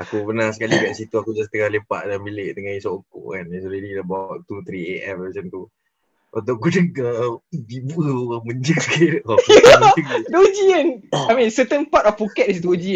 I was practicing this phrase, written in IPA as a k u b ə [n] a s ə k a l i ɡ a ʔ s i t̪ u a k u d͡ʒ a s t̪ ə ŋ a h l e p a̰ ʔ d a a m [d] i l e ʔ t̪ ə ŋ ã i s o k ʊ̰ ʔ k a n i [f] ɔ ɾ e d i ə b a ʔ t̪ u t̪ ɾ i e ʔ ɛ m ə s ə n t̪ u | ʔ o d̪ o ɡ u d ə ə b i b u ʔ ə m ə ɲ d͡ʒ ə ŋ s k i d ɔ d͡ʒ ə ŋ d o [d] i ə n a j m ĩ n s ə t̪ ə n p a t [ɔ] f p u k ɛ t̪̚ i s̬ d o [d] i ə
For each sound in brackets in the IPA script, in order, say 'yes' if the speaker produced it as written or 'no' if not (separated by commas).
yes, no, no, no, yes, no